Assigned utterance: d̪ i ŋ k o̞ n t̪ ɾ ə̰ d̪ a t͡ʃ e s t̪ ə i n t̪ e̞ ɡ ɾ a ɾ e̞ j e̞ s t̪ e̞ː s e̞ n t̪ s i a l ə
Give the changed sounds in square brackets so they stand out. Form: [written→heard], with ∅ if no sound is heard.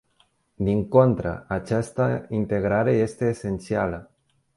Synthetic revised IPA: d̪ i ŋ k o̞ n t̪ ɾ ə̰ [d̪→∅] a t͡ʃ [e→a] s t̪ ə i n t̪ e̞ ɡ ɾ a ɾ e̞ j e̞ s t̪ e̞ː s e̞ n t̪ s i a l ə